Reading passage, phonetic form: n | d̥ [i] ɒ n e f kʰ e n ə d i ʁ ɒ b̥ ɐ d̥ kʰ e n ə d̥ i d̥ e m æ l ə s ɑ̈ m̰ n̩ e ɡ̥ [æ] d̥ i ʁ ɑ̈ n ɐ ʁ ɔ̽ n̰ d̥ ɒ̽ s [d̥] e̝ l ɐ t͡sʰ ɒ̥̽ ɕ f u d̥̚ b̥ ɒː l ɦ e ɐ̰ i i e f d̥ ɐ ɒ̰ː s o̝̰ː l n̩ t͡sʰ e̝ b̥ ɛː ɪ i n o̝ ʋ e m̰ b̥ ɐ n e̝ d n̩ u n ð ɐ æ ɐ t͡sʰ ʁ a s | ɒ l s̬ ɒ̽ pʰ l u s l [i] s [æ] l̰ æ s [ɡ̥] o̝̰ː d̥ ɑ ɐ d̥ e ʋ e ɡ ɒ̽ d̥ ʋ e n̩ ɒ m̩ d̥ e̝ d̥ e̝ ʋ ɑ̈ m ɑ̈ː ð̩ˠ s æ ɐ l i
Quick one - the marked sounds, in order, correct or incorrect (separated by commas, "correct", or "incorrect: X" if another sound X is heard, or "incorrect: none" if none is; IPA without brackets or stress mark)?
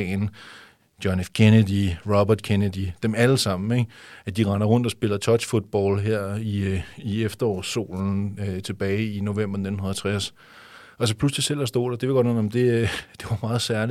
incorrect: j, correct, incorrect: b̥, correct, incorrect: e, incorrect: d̥